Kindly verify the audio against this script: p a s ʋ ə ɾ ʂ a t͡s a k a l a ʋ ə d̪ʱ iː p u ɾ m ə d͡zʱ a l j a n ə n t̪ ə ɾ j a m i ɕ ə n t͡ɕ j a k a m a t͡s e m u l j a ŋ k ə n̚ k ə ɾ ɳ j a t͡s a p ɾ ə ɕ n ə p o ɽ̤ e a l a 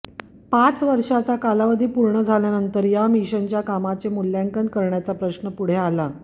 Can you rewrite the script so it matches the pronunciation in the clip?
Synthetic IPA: p a t͡s ʋ ə ɾ ʂ a t͡s a k a l a ʋ ə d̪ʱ iː p u ɾ ɳ ə d͡zʱ a l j a n ə n t̪ ə ɾ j a m i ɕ ə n t͡ɕ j a k a m a t͡s e m u l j a ŋ k ə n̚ k ə ɾ ɳ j a t͡s a p ɾ ə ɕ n ə p u ɽ̤ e a l a